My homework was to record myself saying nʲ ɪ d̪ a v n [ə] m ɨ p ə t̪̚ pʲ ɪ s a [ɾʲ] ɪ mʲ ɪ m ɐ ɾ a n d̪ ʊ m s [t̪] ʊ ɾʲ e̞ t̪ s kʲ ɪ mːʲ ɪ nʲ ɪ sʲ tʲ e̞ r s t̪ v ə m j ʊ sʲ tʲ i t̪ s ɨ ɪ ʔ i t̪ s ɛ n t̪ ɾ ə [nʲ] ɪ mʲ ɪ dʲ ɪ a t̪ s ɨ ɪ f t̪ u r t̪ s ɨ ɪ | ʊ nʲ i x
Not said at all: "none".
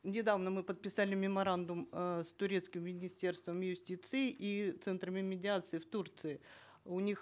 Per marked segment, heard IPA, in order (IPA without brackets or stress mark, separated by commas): ə, lʲ, t̪, mʲ